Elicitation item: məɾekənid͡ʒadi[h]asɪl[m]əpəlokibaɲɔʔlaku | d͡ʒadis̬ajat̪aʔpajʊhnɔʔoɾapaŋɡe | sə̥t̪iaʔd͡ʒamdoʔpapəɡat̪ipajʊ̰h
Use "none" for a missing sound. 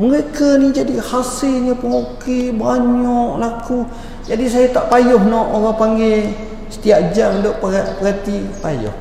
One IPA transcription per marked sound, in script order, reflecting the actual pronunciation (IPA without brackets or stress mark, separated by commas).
h, ɲ